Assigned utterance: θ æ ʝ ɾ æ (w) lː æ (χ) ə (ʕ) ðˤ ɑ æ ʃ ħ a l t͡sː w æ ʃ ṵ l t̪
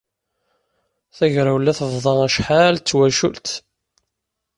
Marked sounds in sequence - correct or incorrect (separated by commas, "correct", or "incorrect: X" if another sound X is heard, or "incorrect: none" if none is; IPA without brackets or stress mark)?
correct, incorrect: θ, incorrect: v